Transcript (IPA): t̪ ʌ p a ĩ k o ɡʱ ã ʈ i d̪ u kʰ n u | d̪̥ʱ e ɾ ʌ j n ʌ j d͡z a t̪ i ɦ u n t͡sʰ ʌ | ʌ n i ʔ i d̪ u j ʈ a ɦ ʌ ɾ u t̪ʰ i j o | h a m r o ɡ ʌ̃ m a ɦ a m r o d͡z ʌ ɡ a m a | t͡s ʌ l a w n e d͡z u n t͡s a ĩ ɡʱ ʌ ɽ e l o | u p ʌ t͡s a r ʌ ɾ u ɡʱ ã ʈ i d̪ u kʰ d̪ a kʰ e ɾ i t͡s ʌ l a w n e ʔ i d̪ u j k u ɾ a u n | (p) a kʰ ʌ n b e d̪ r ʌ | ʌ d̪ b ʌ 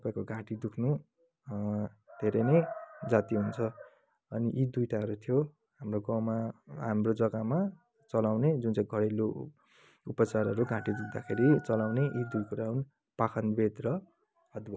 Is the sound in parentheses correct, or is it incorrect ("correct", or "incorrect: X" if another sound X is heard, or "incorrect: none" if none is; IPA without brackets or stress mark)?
correct